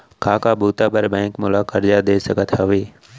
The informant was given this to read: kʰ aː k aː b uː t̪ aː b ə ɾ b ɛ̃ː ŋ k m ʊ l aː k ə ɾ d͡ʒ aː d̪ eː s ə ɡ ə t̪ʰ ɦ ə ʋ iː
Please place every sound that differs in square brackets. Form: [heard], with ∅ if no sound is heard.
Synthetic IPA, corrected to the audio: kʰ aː k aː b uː t̪ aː b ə ɾ b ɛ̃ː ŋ k m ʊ l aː k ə ɾ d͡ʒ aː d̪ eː s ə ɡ ə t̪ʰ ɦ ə ʋ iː